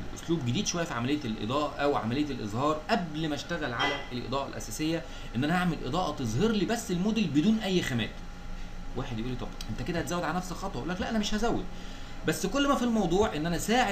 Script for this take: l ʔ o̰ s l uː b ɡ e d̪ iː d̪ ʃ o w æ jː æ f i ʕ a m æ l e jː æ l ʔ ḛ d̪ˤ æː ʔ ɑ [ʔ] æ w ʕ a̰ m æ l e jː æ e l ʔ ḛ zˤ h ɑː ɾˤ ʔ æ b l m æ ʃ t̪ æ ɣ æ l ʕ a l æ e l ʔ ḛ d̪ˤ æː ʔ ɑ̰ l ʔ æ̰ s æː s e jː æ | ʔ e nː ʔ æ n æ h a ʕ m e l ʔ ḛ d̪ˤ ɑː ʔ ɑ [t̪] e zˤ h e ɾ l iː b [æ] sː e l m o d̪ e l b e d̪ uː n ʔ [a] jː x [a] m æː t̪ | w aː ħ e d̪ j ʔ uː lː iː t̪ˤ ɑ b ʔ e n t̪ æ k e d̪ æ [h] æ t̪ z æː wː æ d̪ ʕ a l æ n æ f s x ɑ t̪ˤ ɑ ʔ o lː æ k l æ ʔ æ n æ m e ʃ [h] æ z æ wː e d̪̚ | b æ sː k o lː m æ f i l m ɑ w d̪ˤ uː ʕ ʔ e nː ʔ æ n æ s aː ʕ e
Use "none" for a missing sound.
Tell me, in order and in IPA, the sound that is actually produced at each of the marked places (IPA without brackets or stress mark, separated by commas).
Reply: ʔ, t̪, æ, æ, æ, h, h